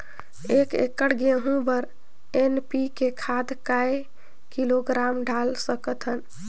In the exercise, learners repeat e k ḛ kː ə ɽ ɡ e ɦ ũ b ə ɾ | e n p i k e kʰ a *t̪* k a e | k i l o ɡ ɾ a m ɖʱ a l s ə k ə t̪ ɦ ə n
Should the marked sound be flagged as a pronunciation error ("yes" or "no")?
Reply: yes